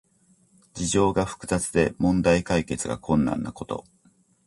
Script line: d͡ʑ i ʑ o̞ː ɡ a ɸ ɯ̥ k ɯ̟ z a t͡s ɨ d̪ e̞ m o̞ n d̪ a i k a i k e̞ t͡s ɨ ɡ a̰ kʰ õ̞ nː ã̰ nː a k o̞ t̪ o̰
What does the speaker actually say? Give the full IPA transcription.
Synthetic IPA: d͡ʑ i ʑ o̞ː ɡ a ɸ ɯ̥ k ɯ̟ z a t͡s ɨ d̪ e̞ m õ̞ n d̪ a i k a i k e̞ t͡s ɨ ɡ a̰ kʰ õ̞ nː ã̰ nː a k o̞ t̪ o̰